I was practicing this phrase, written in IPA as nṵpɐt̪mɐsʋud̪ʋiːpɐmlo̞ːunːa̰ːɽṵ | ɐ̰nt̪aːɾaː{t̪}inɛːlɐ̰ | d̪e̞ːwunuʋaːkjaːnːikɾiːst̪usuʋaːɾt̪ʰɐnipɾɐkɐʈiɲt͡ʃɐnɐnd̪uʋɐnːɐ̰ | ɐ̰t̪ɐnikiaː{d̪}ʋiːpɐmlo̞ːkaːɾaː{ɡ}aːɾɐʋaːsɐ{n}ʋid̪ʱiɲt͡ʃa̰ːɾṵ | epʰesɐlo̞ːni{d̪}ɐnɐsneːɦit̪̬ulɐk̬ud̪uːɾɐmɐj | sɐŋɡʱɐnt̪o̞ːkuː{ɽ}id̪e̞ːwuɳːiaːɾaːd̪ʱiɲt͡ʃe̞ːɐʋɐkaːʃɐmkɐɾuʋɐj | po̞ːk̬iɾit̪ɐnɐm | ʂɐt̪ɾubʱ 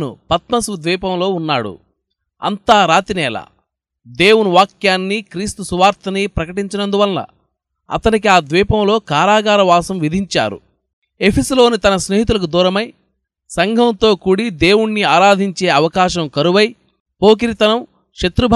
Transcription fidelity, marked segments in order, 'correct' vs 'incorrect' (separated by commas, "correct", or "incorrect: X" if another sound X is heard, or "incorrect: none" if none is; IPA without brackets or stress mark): correct, correct, correct, incorrect: m, incorrect: t̪, correct